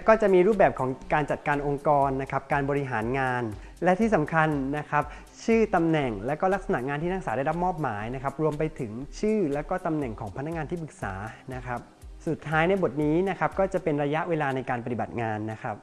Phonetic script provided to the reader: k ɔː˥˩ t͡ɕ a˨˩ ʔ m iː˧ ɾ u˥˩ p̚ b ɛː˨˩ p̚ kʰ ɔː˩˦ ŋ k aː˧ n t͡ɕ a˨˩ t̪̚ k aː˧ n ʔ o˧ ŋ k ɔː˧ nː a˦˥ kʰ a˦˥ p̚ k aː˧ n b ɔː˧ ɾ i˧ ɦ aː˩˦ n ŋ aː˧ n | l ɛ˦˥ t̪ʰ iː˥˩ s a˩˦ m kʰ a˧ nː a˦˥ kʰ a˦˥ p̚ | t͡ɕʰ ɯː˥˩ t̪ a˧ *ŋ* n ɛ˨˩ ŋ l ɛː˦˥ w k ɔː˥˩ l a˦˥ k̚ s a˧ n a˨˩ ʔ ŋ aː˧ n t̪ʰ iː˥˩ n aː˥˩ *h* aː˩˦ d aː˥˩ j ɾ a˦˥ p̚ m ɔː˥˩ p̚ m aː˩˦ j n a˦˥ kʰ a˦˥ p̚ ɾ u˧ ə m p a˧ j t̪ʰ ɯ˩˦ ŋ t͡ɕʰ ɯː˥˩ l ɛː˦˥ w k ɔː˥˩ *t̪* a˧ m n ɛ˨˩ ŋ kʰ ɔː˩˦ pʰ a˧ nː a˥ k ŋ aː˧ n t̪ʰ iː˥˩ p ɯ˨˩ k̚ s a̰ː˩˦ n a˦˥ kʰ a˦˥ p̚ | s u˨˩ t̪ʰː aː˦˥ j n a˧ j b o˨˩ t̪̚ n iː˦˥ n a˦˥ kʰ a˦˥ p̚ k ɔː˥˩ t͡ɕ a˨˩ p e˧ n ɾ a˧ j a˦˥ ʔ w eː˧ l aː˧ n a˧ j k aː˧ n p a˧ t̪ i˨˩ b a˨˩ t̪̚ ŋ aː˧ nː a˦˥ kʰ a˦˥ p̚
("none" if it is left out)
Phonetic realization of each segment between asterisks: m, s, t̪

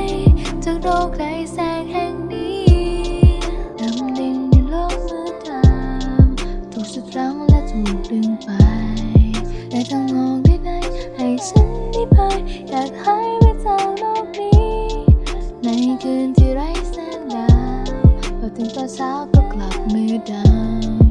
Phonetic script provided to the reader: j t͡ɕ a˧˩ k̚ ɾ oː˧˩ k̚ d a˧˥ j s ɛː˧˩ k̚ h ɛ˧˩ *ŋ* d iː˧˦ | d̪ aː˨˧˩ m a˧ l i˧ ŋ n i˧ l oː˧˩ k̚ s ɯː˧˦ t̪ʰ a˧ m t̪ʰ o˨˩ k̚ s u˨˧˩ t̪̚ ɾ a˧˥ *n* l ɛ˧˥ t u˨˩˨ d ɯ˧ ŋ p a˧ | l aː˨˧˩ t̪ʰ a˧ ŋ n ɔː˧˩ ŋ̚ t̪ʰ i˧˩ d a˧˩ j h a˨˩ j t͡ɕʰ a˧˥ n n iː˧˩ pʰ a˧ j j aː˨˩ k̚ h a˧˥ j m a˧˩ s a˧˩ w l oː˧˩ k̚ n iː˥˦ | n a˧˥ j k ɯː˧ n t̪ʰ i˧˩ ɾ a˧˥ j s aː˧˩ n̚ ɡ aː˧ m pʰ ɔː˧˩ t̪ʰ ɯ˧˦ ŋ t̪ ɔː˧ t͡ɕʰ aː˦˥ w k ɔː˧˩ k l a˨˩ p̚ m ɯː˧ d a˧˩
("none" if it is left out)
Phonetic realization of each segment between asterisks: ŋ, ŋ

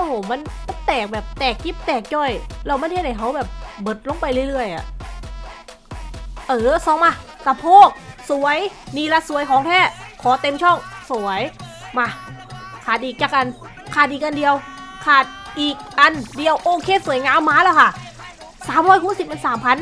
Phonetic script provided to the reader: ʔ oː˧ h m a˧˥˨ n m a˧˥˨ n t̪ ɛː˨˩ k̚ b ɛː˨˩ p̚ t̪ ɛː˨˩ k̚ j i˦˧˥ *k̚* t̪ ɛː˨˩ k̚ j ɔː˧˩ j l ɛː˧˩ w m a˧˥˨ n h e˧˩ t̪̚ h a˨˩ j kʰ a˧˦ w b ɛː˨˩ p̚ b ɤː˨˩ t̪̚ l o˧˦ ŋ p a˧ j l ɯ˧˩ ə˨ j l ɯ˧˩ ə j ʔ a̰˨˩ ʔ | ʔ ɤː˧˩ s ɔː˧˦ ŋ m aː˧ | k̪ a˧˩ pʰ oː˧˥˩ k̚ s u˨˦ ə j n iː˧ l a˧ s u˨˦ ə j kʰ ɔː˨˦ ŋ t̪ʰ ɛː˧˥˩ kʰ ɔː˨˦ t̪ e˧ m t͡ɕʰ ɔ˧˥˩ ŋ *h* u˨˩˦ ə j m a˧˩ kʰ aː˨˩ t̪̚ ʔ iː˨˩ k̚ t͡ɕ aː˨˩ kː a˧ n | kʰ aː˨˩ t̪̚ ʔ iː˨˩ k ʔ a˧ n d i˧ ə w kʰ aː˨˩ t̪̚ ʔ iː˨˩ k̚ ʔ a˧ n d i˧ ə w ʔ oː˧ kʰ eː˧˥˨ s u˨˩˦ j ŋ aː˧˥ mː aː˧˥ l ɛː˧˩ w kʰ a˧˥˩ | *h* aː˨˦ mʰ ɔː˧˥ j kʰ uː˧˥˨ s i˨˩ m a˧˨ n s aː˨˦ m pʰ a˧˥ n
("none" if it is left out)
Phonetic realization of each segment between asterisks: p̚, s, s

